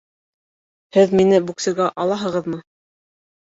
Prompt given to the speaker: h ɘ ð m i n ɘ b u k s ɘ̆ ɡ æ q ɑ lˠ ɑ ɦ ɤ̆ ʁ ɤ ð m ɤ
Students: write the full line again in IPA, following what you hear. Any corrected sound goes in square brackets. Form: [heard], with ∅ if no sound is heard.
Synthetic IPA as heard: h ɘ ð m i n ɘ b u k s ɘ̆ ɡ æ [ʔ] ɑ lˠ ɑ ɦ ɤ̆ ʁ ɤ ð m ɤ